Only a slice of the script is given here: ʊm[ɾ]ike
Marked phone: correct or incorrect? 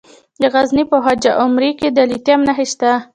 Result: correct